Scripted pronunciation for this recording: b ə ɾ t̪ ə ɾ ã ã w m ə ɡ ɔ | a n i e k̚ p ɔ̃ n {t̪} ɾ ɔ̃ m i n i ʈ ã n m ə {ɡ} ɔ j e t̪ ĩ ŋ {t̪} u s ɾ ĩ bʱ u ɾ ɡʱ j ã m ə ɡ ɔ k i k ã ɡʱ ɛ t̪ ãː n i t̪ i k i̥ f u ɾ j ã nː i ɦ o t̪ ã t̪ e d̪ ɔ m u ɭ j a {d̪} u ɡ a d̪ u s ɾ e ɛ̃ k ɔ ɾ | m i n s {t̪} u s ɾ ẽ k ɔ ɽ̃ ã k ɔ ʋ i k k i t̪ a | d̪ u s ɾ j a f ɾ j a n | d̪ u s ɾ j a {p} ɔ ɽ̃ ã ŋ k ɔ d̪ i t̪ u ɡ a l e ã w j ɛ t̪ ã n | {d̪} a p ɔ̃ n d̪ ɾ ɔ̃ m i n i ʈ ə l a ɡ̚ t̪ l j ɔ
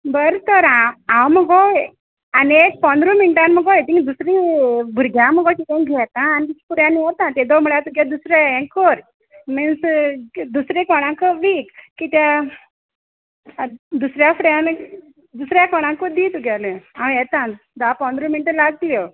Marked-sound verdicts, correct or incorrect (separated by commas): incorrect, correct, incorrect, incorrect, incorrect, incorrect, correct